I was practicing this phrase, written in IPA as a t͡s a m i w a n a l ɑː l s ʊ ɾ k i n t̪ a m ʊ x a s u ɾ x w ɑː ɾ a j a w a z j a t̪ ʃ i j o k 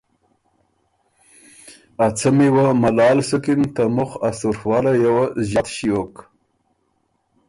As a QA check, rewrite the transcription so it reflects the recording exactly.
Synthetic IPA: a t͡s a m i w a m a l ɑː l s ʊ k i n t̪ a m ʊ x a s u ɾ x w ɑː l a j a w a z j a t̪ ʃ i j o k

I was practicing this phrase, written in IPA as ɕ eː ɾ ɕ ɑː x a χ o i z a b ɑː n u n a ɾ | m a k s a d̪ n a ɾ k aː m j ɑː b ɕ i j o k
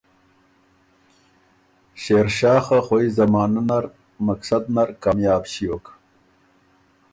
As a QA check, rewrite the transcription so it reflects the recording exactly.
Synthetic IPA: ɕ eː ɾ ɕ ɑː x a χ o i z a m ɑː n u n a ɾ | m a k s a d̪ n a ɾ k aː m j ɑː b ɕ i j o k

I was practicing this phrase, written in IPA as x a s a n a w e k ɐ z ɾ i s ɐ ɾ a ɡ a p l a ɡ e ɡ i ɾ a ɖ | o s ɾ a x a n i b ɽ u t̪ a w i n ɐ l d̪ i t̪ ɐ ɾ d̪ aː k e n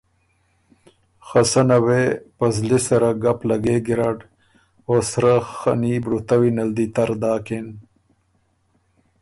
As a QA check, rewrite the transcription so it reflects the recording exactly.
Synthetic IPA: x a s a n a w e p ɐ z l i s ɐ ɾ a ɡ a p l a ɡ e ɡ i ɾ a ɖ | o s ɾ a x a n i b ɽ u t̪ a w i n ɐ l d̪ i t̪ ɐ ɾ d̪ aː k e n

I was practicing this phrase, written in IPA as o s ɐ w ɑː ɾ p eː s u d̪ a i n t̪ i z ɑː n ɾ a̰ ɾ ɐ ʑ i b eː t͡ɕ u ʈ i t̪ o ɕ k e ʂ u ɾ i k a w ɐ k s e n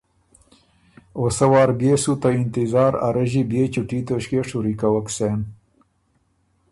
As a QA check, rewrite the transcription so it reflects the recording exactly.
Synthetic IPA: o s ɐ w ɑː ɾ b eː s u t̪ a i n t̪ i z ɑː ɾ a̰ ɾ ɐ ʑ i b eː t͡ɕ u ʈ i t̪ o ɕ k e ʂ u ɾ i k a w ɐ k s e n

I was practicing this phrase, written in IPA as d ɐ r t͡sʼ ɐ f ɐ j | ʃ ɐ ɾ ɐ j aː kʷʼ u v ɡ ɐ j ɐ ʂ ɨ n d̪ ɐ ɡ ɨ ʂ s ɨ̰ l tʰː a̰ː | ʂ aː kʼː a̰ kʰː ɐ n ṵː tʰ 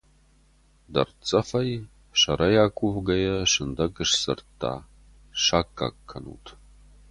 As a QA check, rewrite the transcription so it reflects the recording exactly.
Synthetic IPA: d ɐ r t͡sʼ ɐ f ɐ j | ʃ ɐ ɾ ɐ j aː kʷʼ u v ɡ ɐ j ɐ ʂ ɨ n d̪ ɐ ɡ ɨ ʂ s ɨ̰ r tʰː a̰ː | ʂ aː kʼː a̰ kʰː ɐ n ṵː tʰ

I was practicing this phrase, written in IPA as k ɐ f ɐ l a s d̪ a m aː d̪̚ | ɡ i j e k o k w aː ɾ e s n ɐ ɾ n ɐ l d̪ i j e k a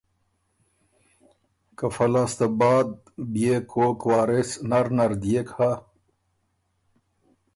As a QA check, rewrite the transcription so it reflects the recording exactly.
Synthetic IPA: k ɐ f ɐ l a s t̪ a b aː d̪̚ | b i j e k o k w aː ɾ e s n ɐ ɾ n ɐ ɾ d̪ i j e k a

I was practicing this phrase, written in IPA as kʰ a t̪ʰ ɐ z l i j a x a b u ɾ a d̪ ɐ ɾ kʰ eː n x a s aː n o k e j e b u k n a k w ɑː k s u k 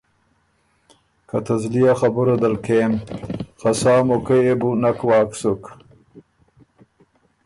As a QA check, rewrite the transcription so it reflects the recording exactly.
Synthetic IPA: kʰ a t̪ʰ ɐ z l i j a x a b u ɾ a d̪ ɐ l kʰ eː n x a s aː m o k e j e b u n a k w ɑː k s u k

